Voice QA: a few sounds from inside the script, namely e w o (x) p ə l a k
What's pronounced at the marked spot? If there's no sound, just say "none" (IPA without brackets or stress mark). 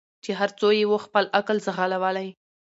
x